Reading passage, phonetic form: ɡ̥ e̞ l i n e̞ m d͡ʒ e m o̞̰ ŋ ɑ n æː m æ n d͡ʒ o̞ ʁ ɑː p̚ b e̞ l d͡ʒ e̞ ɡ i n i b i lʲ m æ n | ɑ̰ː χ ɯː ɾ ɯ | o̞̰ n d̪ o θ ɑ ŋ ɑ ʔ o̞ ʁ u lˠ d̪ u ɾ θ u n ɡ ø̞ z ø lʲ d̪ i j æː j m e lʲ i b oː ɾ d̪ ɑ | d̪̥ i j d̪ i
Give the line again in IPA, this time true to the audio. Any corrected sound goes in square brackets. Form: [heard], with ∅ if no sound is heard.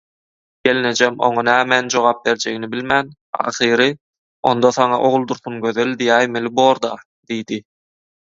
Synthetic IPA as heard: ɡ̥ e̞ l i n e̞ [∅] d͡ʒ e m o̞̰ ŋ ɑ n æː m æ n d͡ʒ o̞ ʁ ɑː p̚ b e̞ [ɾ] d͡ʒ e̞ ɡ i n i b i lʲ m æ n | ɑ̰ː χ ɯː ɾ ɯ | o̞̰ n d̪ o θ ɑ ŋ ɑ ʔ o̞ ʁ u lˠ d̪ u ɾ θ u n ɡ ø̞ [ð] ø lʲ d̪ i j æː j m e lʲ i b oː ɾ d̪ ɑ | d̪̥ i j d̪ i

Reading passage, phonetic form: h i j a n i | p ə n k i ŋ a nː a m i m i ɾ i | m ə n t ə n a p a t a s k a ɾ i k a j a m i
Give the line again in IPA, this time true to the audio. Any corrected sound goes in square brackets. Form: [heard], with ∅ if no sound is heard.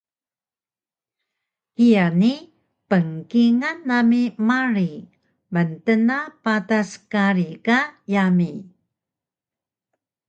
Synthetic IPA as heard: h i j a n i | p ə [ŋ] k i ŋ a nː a m i m [a] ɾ i | m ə n t ə n a p a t a s k a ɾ i k a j a m i

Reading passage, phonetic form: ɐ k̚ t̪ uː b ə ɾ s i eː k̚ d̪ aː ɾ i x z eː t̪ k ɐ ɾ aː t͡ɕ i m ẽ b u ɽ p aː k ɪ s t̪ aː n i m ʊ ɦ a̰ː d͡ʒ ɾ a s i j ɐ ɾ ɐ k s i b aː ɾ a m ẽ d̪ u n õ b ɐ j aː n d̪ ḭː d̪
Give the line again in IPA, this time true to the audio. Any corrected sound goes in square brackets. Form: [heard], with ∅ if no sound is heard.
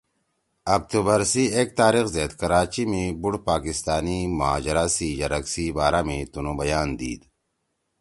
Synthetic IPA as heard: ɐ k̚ t̪ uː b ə ɾ s i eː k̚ [t̪] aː ɾ i x z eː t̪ k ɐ ɾ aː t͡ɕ i m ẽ b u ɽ p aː k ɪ s t̪ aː n i m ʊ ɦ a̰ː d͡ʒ ɾ a s i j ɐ ɾ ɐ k s i b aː ɾ a m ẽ [t̪] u n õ b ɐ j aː n d̪ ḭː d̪

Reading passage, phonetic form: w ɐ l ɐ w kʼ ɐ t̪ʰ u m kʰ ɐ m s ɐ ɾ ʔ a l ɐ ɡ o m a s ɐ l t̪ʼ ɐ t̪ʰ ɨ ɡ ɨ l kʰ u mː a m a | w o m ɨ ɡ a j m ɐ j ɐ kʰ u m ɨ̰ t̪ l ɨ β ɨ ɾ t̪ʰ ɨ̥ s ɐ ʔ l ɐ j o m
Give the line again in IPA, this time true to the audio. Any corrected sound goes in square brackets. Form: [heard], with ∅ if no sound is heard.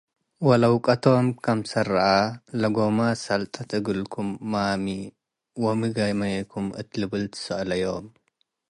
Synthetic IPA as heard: w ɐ l ɐ w kʼ ɐ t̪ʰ [o] m kʰ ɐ m s ɐ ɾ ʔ a l ɐ ɡ o m a s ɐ l t̪ʼ ɐ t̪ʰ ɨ ɡ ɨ l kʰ u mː a m [i] | w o m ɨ ɡ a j m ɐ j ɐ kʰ u m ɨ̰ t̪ l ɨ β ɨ [l] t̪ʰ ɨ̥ s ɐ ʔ l ɐ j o m

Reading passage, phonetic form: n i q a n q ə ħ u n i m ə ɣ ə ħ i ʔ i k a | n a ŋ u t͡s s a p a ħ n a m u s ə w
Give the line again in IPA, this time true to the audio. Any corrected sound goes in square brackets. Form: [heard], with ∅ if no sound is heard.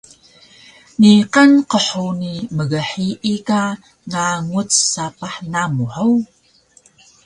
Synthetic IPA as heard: n i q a n q ə ħ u n i m ə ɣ ə ħ i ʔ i k a | [ŋ] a ŋ u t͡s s a p a ħ n a m u [ħ] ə w

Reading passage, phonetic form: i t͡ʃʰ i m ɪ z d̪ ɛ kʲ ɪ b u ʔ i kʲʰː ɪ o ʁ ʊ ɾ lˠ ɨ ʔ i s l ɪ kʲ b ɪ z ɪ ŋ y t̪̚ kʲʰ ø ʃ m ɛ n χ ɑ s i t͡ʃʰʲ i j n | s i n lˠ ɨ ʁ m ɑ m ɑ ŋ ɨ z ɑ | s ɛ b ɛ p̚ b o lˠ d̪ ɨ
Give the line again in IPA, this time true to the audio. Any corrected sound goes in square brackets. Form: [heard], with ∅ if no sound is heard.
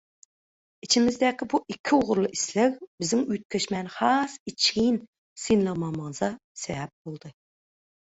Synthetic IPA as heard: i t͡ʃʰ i m ɪ z d̪ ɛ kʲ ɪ b u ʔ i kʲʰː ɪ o ʁ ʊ ɾ lˠ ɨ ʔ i s l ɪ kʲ b ɪ z ɪ ŋ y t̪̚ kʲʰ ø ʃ m ɛ n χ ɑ s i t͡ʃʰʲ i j n | s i n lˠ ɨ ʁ m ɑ m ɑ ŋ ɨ z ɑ | s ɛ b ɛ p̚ b o lˠ d̪ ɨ

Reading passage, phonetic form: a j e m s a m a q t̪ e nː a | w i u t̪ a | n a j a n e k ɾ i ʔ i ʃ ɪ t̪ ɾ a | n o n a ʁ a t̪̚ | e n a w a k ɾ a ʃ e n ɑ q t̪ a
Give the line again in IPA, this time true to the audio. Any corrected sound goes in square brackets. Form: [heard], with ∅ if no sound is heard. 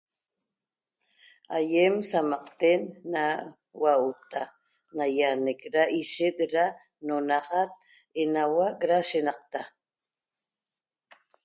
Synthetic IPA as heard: a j e m s a m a q t̪ e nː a | w [a] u t̪ a | n a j a n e k ɾ [a] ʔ i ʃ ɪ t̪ ɾ a | n o n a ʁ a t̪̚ | e n a w a k ɾ a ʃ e n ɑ q t̪ a

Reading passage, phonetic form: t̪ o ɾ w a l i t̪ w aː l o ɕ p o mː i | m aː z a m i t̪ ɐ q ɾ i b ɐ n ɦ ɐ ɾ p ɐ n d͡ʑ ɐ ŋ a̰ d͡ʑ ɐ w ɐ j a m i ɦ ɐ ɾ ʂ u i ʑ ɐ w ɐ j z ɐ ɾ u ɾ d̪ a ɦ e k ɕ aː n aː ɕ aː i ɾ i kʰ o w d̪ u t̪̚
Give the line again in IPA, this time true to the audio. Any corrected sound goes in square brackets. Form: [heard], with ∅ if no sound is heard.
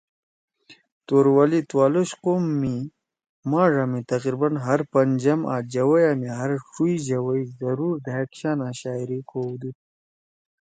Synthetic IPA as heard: t̪ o ɾ w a l i t̪ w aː l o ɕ [q] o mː i | m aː [ʐ] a m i t̪ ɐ q ɾ i b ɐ n ɦ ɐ ɾ p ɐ n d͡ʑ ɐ [m] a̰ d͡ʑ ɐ w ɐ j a m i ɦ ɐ ɾ ʂ u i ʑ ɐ w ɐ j z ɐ ɾ u ɾ d̪ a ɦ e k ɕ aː n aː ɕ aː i ɾ i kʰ o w d̪ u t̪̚

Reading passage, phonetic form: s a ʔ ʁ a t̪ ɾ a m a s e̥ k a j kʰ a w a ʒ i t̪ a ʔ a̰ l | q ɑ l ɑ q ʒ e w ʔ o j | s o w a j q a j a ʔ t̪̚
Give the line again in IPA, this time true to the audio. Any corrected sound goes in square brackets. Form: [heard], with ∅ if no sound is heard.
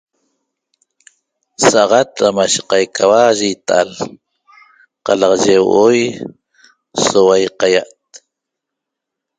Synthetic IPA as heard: s a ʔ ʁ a t̪ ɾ a m a [ʃ] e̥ [q] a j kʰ a w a ʒ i t̪ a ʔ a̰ l | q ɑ l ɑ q ʒ e w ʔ o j | s o w a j q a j a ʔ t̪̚

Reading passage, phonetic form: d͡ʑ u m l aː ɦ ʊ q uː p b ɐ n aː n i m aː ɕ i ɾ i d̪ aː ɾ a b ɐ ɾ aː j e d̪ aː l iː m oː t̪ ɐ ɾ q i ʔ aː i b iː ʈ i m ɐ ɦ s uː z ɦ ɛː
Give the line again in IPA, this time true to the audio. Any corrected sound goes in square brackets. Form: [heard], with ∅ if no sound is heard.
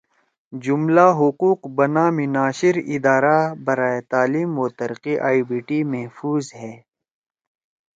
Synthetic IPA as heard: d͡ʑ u m l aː ɦ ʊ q uː [q] b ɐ n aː [m] i [n] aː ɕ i ɾ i d̪ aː ɾ a b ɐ ɾ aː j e [t̪] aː l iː m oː t̪ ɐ ɾ q i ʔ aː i b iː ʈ i m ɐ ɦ [f] uː z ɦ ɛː

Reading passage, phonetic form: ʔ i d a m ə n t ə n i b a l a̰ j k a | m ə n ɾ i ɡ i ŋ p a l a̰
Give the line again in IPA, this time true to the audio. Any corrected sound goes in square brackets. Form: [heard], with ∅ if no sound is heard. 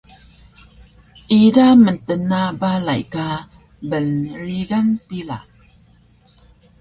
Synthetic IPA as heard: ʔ i d a m ə n t ə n [a] b a l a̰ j k a | [b] ə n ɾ i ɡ [a] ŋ p [i] l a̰

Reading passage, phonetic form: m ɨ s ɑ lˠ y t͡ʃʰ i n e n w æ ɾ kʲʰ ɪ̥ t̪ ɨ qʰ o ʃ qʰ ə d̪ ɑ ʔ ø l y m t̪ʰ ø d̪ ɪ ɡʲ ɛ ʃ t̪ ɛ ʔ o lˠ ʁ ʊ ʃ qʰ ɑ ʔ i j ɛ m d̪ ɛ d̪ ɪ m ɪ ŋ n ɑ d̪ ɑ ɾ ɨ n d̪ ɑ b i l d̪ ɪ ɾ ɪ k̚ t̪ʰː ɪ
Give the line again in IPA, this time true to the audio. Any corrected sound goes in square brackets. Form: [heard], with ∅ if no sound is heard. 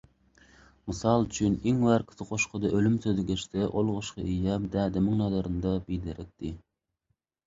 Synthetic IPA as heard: m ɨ s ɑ lˠ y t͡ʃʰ [y] n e [ŋ] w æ ɾ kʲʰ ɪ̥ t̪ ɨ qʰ o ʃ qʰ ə d̪ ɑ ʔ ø l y m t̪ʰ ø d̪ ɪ ɡʲ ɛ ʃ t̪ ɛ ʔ o lˠ ʁ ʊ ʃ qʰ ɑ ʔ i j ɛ m d̪ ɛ d̪ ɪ m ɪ ŋ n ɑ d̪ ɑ ɾ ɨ n d̪ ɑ b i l d̪ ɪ ɾ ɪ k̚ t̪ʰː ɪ

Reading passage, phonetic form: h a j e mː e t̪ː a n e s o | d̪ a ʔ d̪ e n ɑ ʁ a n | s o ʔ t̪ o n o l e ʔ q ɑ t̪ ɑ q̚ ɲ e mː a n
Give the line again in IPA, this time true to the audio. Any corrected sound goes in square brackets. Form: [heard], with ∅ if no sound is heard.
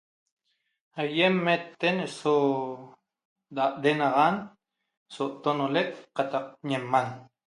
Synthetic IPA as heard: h a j e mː e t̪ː [e] n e s o | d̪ a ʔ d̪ e n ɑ ʁ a n | s o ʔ t̪ o n o l e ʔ q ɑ t̪ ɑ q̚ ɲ e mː a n

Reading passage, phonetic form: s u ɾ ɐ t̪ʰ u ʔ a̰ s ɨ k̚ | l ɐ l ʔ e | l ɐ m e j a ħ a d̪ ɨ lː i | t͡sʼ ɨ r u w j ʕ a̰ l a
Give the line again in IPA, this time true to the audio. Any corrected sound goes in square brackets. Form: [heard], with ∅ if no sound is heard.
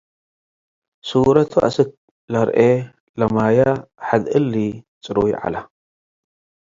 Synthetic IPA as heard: s u ɾ ɐ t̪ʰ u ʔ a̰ s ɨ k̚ | l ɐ [ɾ] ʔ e | l ɐ m [a] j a ħ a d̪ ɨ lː i | t͡sʼ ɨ [ɾ] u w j ʕ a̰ l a

